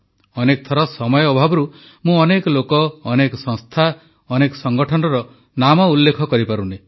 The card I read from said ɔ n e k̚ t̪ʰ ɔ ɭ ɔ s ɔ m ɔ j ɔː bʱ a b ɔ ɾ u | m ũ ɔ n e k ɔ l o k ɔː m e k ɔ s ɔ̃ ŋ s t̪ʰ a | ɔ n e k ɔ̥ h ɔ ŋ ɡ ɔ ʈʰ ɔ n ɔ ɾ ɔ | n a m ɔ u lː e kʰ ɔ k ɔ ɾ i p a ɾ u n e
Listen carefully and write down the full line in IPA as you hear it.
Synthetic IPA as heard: ɔ n e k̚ t̪ʰ ɔ ɾ ɔ s ɔ m ɔ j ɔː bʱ a b ɔ ɾ u | m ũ ɔ n e k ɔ l o k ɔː n e k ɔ s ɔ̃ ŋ s t̪ʰ a | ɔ n e k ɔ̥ s ɔ ŋ ɡ ɔ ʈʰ ɔ n ɔ ɾ ɔ | n a m ɔ u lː e kʰ ɔ k ɔ ɾ i p a ɾ u n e

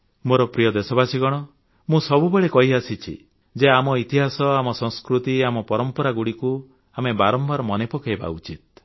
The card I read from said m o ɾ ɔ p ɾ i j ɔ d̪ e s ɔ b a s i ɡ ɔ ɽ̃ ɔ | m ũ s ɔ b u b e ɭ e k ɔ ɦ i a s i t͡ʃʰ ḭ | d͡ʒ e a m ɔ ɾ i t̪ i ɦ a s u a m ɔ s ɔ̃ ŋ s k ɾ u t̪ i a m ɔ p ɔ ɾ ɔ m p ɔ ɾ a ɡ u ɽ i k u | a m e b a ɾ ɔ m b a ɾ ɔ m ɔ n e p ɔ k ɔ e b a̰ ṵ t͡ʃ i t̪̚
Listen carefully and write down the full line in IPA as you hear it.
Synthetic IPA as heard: m o ɾ ɔ p ɾ i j ɔ d̪ e s ɔ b a s i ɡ ɔ ɽ̃ ɔ | m ũ s ɔ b u b e ɭ e k ɔ ɦ i a s i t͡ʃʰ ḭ | d͡ʒ e a m ɔ i t̪ i ɦ a s ɔ a m ɔ s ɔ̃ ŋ s k ɾ u t̪ i a m ɔ p ɔ ɾ ɔ m p ɔ ɾ a ɡ u ɽ i k u | a m e b a ɾ ɔ m b a ɾ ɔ m ɔ n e p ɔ k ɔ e b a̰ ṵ t͡ʃ i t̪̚

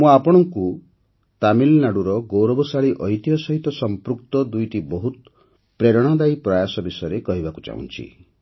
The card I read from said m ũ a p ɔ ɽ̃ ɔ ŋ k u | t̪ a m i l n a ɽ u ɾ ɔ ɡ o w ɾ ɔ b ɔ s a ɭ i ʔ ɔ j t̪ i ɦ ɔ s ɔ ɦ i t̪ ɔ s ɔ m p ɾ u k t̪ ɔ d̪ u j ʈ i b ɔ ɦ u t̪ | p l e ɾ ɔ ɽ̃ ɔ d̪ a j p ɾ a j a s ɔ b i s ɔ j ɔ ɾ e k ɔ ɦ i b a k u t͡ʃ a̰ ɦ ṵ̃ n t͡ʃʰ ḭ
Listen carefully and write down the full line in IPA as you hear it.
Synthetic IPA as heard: m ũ a p ɔ ɽ̃ ɔ ŋ k u | t̪ a m i l n a ɽ u ɾ ɔ ɡ o w ɾ ɔ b ɔ s a ɭ i ʔ ɔ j t̪ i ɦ ɔ s ɔ ɦ i t̪ ɔ s ɔ m p ɾ u k t̪ ɔ d̪ u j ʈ i b ɔ ɦ u t̪ | p ɾ e ɾ ɔ ɽ̃ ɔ d̪ a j p ɾ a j a s ɔ b i s ɔ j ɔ ɾ e k ɔ ɦ i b a k u t͡ʃ a̰ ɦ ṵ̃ n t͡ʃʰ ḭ

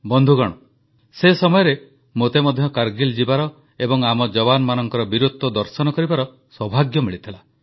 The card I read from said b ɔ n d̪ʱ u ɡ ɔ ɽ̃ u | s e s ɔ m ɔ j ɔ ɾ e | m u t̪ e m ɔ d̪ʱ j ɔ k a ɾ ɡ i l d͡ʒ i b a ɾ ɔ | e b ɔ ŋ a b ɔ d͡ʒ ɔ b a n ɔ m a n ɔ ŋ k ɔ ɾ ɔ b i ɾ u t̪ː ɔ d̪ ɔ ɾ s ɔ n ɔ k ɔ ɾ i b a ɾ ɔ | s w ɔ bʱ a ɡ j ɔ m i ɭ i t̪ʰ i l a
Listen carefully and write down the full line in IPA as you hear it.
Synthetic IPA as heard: b ɔ n d̪ʱ u ɡ ɔ ɽ̃ ɔ | s e s ɔ m ɔ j ɔ ɾ e | m o t̪ e m ɔ d̪ʱ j ɔ k a ɾ ɡ i l d͡ʒ i b a ɾ ɔ | e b ɔ ŋ a m ɔ d͡ʒ ɔ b a n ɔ m a n ɔ ŋ k ɔ ɾ ɔ b i ɾ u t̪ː ɔ d̪ ɔ ɾ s ɔ n ɔ k ɔ ɾ i b a ɾ ɔ | s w ɔ bʱ a ɡ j ɔ m i ɭ i t̪ʰ i l a

